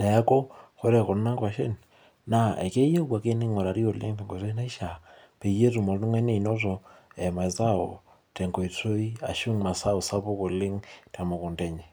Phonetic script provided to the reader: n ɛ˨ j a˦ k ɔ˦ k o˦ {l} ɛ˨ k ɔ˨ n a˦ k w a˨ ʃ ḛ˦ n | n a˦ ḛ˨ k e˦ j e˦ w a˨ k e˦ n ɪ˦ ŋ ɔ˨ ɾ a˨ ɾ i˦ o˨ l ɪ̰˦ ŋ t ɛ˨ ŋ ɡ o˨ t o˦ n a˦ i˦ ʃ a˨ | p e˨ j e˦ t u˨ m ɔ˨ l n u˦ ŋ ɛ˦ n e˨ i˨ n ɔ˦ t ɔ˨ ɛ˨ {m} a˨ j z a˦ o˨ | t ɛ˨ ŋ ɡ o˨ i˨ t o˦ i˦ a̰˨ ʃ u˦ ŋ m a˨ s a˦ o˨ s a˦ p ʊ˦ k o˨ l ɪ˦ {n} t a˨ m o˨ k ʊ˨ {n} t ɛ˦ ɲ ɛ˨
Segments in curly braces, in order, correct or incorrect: incorrect: ɾ, correct, incorrect: ŋ, correct

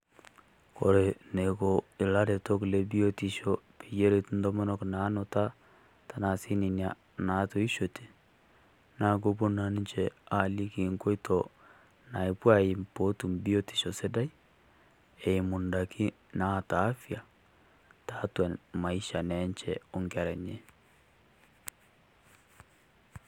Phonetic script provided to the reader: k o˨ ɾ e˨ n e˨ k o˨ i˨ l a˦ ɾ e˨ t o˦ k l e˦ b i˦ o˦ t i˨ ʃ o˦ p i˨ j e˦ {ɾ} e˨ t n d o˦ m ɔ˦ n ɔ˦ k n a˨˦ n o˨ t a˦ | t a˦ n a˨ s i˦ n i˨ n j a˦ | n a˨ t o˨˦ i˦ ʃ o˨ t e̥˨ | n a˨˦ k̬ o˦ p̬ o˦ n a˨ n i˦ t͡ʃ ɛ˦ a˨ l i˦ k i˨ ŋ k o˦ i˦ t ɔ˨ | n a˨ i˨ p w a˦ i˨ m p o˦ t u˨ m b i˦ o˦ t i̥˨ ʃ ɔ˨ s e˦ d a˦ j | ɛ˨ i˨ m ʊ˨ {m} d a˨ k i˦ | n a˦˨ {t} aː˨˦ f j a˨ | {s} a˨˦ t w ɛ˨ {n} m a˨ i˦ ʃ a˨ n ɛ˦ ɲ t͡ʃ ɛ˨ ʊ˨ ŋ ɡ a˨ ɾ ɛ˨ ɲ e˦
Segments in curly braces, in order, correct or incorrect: correct, incorrect: n, correct, incorrect: t, correct

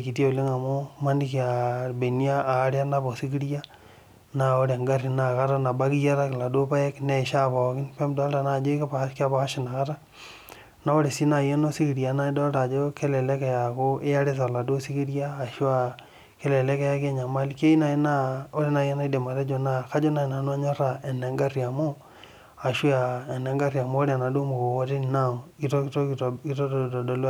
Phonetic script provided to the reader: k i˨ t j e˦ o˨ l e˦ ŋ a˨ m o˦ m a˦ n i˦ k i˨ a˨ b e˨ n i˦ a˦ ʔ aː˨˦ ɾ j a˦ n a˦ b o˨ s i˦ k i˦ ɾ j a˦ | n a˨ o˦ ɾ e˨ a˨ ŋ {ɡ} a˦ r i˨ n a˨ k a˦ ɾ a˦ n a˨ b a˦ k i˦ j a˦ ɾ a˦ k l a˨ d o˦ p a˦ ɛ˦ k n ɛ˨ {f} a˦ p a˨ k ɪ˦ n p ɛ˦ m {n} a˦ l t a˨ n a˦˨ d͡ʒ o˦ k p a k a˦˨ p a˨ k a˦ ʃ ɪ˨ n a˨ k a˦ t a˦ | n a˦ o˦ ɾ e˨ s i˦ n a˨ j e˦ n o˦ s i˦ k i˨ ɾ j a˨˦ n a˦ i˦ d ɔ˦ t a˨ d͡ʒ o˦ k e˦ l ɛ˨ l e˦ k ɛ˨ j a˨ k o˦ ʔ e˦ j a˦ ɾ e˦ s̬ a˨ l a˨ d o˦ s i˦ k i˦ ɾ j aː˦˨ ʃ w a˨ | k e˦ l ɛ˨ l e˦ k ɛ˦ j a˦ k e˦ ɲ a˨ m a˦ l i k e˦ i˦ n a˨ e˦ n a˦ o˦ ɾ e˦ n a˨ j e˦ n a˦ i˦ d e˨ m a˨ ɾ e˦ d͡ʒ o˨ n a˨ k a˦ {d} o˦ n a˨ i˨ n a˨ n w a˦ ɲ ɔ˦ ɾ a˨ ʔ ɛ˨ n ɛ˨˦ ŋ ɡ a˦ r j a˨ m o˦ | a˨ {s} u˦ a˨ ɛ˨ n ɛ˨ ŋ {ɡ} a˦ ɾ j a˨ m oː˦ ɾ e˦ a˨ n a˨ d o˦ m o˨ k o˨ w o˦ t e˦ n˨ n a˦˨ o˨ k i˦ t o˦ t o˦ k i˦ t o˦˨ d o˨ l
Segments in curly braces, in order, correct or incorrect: correct, incorrect: ʃ, incorrect: d, incorrect: d͡ʒ, incorrect: ʃ, correct

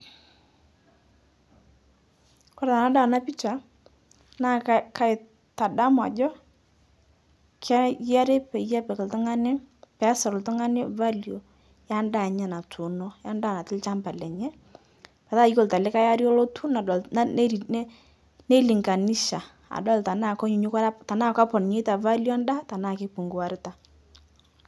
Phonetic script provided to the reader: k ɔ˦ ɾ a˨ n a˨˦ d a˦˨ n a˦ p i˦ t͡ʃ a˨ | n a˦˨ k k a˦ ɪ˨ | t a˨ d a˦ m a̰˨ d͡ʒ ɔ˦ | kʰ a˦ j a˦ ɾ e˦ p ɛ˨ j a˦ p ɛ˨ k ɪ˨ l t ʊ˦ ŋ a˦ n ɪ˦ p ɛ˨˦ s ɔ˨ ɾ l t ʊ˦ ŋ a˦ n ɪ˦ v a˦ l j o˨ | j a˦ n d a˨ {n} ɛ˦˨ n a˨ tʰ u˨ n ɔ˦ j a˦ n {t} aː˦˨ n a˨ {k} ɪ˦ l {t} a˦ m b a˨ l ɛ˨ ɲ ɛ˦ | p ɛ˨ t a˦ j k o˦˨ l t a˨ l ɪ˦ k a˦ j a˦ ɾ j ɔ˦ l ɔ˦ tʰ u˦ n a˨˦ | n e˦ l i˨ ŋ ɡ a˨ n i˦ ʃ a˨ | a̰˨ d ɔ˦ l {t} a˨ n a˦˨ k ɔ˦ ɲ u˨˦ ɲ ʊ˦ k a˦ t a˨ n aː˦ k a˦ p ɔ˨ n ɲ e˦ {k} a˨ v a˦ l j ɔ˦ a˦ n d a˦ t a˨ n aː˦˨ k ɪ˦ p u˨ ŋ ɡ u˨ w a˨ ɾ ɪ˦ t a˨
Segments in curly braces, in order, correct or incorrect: incorrect: ɲ, incorrect: d, incorrect: t, incorrect: t͡ʃ, correct, incorrect: t

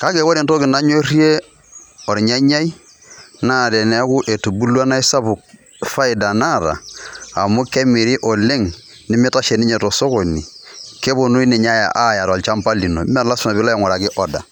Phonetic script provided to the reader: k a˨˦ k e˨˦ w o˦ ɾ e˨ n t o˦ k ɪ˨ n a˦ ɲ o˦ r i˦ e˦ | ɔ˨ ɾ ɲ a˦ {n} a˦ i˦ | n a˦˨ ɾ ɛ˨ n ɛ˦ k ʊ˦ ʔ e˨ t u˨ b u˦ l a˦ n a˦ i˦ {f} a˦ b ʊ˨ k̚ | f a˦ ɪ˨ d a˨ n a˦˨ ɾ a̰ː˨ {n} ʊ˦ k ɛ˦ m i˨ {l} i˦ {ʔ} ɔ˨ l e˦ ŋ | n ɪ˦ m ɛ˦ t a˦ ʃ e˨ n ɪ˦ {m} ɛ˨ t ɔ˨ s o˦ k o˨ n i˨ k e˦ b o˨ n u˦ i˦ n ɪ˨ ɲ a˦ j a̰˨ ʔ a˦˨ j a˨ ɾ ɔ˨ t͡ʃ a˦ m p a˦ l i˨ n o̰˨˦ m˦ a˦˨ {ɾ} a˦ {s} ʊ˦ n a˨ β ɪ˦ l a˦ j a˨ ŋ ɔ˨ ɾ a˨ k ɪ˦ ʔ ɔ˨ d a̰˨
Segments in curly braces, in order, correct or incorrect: incorrect: ɲ, incorrect: s, incorrect: m, incorrect: ɾ, correct, incorrect: ɲ, incorrect: l, correct

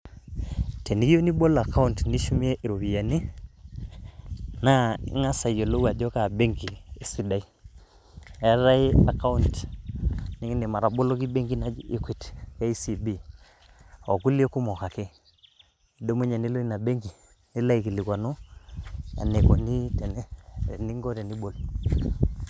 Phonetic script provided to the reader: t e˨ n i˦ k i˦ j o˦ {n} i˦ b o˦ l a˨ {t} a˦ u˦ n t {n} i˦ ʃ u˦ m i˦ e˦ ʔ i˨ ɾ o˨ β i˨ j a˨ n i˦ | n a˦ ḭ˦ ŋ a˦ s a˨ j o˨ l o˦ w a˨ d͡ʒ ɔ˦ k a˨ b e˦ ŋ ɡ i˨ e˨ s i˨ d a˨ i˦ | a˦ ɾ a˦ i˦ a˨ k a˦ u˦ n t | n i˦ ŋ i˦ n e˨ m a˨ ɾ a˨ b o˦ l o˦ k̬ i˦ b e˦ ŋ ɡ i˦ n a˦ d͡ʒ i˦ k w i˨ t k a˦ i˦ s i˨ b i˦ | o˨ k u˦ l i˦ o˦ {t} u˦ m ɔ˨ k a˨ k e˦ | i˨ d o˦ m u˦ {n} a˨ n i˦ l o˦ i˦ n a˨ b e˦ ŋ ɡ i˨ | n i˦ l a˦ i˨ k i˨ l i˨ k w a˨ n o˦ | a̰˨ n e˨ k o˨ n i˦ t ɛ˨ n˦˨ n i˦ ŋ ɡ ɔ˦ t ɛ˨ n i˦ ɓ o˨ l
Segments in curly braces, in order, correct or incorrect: correct, incorrect: k, correct, incorrect: k, incorrect: ɲ

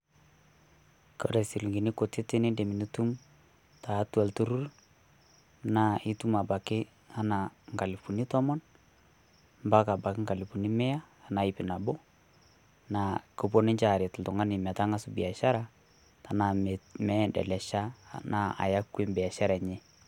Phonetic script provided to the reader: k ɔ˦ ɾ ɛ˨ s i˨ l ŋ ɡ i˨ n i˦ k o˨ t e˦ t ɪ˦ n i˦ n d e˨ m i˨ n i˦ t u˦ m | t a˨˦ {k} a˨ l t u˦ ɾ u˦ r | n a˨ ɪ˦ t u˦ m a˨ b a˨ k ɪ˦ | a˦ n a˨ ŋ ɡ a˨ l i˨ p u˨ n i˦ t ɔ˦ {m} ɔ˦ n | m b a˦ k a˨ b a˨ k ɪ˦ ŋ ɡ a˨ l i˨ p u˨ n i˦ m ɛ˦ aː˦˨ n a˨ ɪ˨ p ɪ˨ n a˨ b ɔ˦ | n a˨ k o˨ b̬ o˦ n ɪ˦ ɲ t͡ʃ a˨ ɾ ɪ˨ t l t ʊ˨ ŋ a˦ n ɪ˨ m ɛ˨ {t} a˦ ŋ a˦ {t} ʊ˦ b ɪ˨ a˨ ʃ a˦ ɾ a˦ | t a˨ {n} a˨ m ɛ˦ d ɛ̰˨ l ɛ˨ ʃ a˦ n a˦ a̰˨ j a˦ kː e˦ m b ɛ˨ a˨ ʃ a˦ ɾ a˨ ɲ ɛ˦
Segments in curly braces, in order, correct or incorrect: incorrect: t, correct, correct, incorrect: s, correct

